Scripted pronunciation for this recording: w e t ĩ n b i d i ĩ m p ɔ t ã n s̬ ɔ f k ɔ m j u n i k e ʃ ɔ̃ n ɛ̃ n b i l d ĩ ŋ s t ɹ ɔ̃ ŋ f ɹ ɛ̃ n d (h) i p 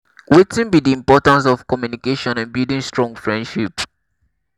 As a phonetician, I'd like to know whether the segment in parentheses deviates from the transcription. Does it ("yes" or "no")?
yes